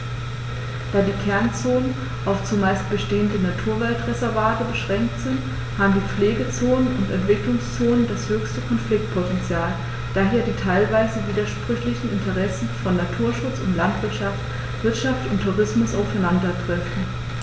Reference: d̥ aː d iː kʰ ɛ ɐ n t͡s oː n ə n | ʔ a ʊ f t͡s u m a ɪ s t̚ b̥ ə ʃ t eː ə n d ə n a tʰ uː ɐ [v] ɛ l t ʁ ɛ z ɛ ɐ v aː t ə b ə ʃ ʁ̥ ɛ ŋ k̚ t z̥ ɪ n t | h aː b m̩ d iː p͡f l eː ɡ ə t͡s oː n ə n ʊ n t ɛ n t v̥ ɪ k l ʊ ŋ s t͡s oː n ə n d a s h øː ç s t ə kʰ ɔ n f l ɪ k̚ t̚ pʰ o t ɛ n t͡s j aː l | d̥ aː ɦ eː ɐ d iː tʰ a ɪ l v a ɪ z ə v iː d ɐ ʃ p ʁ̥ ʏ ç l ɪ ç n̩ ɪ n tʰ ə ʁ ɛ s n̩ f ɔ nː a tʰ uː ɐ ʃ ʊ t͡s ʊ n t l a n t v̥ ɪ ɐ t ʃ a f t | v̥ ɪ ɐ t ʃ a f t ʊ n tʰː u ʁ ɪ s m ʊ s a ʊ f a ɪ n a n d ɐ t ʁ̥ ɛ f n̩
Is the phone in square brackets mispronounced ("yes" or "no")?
no